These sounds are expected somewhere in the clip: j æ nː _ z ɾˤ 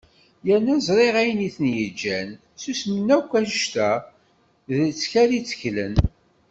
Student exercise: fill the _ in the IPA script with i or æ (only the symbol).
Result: æ